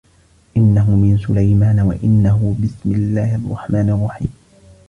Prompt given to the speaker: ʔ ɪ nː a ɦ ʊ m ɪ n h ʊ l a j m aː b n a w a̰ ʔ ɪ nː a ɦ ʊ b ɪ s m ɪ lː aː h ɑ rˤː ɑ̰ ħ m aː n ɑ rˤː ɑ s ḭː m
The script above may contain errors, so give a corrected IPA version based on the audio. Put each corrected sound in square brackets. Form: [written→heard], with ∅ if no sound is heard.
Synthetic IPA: ʔ ɪ nː a ɦ ʊ m ɪ n [h→s] ʊ l a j m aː [b→∅] n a w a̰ ʔ ɪ nː a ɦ ʊ b ɪ s m ɪ lː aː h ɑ rˤː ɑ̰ ħ m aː n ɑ rˤː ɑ [s→ħ] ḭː m